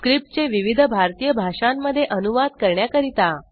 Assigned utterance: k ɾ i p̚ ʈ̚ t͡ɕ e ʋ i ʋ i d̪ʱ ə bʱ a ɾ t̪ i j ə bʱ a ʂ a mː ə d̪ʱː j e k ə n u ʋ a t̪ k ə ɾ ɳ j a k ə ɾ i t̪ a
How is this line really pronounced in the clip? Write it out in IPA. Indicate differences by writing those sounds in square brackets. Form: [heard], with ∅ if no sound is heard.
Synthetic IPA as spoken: k ɾ i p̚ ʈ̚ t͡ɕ e ʋ i ʋ i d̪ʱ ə bʱ a ɾ t̪ i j ə bʱ a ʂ a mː ə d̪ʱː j e [ʔ] ə n u ʋ a [d̪] k ə ɾ ɳ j a k ə ɾ i t̪ a